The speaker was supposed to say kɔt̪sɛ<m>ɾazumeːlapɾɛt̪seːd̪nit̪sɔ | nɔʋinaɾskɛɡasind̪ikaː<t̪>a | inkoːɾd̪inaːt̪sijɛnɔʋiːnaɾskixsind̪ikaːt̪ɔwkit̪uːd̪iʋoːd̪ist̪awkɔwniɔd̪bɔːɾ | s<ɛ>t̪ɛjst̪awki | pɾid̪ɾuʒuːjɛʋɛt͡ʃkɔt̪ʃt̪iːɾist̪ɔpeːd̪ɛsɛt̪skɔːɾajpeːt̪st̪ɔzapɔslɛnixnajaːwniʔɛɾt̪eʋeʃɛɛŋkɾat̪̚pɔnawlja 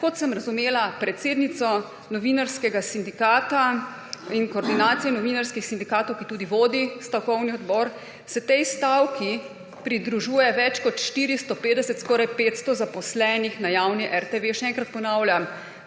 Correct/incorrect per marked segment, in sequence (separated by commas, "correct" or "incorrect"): correct, correct, correct